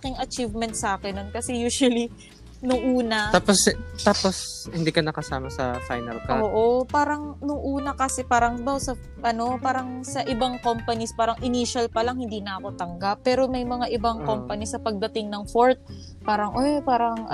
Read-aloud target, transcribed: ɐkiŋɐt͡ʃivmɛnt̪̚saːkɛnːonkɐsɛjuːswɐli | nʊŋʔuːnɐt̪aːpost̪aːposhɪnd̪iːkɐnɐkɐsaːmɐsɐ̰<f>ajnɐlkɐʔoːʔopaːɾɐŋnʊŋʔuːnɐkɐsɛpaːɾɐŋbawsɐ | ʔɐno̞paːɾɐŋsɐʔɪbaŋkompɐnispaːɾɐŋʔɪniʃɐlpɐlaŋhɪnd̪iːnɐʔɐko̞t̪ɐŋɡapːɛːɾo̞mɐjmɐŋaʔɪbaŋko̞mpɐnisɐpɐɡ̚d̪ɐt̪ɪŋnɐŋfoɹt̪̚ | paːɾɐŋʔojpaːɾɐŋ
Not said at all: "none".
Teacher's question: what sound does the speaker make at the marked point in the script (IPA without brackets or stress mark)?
f